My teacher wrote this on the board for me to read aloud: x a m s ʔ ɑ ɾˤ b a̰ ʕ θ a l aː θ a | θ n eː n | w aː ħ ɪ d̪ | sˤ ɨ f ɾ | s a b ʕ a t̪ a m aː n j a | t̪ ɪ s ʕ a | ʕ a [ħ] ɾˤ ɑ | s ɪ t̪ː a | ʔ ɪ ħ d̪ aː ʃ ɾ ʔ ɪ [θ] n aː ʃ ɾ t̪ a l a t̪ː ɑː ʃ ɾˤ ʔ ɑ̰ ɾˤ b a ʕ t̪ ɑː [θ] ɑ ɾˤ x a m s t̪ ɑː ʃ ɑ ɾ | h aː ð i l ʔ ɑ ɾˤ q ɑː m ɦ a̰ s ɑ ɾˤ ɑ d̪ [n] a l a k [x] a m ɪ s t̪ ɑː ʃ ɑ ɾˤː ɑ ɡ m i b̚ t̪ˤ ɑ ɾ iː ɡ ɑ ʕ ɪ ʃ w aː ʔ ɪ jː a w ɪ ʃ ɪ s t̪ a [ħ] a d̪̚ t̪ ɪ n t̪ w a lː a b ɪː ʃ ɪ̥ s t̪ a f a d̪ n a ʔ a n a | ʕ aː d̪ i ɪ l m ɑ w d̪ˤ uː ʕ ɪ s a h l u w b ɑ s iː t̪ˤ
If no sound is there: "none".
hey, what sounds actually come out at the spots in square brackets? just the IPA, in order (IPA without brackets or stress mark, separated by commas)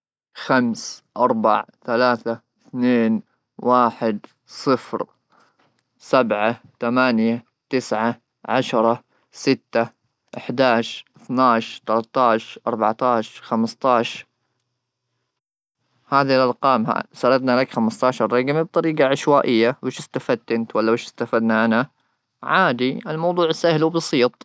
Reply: ʃ, θ, ʃ, n, x, f